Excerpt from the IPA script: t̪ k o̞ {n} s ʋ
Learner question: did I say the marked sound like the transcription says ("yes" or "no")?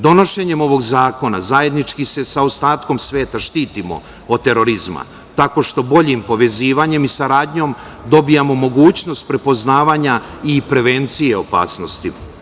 no